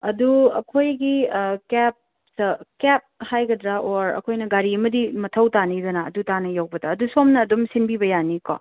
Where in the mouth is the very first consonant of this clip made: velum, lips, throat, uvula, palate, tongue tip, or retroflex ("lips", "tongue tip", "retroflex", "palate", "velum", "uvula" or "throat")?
tongue tip